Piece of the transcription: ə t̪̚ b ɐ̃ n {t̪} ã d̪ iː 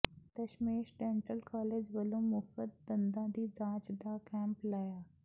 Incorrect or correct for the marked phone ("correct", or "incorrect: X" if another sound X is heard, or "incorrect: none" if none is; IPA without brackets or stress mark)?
incorrect: d̪